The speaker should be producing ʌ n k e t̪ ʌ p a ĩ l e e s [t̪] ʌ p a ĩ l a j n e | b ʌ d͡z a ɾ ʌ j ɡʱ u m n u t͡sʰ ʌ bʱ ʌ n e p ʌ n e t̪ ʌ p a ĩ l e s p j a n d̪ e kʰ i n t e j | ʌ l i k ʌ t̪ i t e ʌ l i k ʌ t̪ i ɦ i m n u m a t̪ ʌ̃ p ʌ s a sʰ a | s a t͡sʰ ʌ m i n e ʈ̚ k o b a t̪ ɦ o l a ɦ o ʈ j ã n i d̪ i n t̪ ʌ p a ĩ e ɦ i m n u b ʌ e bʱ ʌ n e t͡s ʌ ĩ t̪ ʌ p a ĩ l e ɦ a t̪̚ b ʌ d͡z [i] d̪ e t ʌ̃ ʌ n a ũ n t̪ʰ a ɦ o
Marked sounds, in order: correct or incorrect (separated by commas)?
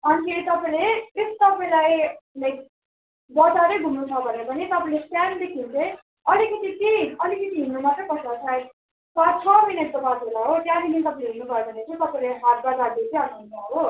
correct, incorrect